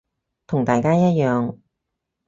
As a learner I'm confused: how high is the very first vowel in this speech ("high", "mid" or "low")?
high